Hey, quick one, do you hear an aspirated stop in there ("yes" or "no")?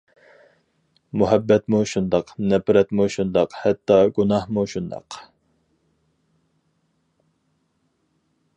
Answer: no